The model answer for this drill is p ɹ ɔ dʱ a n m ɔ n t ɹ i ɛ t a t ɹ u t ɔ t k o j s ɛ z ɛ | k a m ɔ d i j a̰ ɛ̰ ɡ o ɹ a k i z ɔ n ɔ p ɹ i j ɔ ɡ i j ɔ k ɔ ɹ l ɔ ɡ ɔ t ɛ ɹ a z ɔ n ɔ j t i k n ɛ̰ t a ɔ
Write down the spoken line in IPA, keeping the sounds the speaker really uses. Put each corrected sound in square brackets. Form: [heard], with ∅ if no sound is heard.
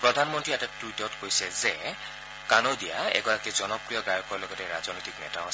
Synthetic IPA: p ɹ ɔ dʱ a n m ɔ n t ɹ i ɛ t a t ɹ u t ɔ t k o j s ɛ z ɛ | k a [n] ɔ d i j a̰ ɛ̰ ɡ [ɔ] ɹ a k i z ɔ n ɔ p ɹ i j ɔ ɡ [a] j ɔ k ɔ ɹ l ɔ ɡ ɔ t ɛ ɹ a z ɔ n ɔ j t i k n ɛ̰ t a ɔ